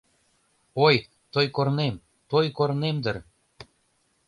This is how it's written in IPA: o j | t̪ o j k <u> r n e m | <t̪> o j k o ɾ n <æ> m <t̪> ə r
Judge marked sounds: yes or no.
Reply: no, yes, no, no

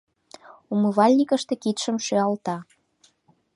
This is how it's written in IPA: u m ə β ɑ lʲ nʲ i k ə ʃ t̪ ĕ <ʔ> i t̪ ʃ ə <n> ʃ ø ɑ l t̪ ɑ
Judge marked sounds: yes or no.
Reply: no, no

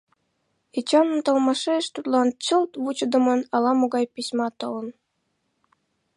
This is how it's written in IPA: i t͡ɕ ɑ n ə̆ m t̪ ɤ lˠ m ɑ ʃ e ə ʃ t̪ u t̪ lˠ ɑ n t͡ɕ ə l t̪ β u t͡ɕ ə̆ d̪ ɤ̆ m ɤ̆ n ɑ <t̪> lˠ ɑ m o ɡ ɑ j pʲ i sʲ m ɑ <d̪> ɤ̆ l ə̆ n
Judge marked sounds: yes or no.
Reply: no, no

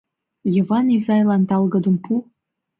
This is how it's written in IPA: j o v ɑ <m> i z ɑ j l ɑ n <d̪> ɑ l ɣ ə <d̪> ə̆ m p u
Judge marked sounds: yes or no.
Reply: no, no, yes

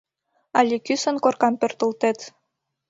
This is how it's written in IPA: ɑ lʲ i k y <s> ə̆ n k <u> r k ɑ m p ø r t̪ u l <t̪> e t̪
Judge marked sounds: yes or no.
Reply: yes, no, yes

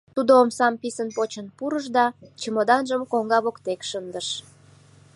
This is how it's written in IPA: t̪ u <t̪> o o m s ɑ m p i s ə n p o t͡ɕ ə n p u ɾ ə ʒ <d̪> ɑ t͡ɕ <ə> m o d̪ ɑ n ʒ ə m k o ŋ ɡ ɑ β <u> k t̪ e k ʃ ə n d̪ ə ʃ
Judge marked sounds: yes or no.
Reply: no, yes, yes, no

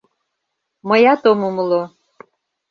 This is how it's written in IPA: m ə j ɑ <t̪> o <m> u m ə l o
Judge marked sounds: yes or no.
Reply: yes, yes

